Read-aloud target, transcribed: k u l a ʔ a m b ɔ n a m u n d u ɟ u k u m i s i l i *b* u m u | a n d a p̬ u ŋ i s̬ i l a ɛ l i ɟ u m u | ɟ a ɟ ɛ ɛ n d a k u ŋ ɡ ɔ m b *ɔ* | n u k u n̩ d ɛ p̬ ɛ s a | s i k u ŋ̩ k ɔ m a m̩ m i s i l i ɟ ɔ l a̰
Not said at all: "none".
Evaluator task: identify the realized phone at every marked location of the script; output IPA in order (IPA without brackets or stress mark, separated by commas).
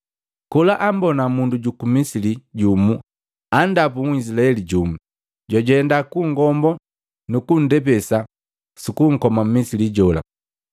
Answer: ɟ, ɔ